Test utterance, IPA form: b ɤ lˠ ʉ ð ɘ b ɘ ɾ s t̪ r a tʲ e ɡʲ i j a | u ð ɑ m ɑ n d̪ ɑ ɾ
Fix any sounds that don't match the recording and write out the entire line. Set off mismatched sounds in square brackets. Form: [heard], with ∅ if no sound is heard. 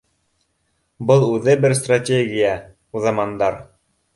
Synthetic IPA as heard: b ɤ lˠ ʉ ð ɘ b ɘ ɾ s t̪ r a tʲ e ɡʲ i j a | u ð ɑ m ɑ n d̪ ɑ ɾ